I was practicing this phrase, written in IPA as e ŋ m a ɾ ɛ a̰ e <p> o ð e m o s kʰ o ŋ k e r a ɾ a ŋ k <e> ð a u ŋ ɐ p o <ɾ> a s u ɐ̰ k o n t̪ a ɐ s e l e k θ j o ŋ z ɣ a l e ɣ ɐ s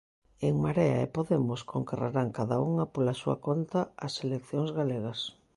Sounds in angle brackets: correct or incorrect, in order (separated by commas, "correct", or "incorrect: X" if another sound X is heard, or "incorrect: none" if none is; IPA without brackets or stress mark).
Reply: correct, incorrect: a, incorrect: l